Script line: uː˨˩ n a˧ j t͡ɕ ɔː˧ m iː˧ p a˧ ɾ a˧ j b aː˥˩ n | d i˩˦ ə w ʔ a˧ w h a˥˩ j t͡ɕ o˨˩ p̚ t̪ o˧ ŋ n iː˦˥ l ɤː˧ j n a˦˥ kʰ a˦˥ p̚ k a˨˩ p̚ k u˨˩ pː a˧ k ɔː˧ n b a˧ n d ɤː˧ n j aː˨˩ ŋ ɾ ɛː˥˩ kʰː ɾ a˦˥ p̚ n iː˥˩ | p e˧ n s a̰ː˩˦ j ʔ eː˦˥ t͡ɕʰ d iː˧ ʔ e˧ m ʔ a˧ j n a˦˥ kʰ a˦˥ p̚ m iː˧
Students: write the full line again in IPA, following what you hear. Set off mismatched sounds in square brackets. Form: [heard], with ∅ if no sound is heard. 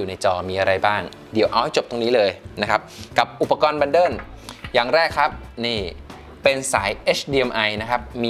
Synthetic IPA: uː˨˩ n a˧ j t͡ɕ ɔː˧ m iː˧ [ʔ] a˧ ɾ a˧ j b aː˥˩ [ŋ] | d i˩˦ ə w ʔ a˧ w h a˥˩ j t͡ɕ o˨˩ p̚ t̪ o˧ ŋ n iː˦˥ l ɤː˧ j n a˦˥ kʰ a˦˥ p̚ k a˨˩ p̚ [ʔ] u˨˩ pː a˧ k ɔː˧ n b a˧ n d [ɤː˥˩] n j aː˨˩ ŋ ɾ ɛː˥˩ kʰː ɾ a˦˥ p̚ n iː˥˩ | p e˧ n s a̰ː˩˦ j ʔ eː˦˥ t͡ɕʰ d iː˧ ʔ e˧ m ʔ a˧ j n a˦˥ kʰ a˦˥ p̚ m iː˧